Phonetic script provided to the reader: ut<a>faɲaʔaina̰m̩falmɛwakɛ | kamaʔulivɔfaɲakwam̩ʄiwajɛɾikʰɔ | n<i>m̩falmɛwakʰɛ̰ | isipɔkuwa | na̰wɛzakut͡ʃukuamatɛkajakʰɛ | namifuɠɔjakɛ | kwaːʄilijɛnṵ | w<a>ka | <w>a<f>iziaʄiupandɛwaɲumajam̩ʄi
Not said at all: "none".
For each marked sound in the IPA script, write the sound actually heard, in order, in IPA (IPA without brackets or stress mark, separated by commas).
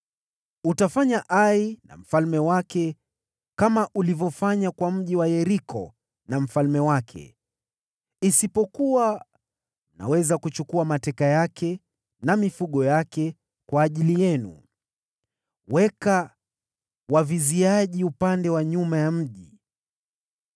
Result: a, a, ɛ, w, v